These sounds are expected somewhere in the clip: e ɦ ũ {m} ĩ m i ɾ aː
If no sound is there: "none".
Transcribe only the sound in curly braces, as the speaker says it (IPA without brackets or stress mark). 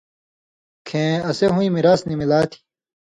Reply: none